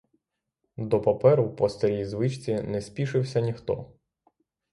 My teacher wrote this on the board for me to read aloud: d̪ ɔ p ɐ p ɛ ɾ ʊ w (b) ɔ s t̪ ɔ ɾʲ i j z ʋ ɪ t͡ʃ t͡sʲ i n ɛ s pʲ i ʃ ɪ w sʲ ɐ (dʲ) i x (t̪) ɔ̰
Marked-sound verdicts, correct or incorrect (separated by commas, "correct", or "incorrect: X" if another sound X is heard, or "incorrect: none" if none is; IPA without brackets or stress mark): incorrect: p, incorrect: nʲ, correct